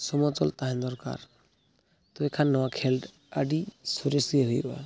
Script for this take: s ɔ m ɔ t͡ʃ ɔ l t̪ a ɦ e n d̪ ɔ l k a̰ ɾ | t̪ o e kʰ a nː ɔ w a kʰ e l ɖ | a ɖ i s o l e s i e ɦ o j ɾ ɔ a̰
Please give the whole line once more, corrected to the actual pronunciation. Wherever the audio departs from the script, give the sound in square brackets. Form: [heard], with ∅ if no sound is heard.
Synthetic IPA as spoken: s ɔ m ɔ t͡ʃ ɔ l t̪ a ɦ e n d̪ ɔ [ɾ] k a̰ ɾ | t̪ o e kʰ a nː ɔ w a kʰ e l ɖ | a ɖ i s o [ɾ] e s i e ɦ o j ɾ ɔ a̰